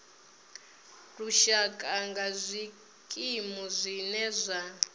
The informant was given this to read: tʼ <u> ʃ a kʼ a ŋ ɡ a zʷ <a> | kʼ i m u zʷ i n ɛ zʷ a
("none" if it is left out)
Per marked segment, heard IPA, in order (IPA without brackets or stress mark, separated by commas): u, i